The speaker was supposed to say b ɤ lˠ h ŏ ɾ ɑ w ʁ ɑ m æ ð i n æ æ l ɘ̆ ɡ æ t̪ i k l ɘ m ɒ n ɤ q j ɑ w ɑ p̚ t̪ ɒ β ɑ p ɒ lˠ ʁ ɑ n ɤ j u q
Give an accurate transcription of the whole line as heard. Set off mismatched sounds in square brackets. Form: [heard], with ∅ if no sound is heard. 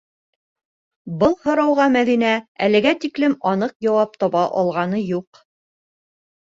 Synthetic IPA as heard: b ɤ lˠ h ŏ ɾ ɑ w ʁ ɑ m æ ð i n æ æ l ɘ̆ ɡ æ t̪ i k l ɘ m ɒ n ɤ q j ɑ w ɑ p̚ t̪ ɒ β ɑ [ʔ] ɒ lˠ ʁ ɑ n ɤ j u q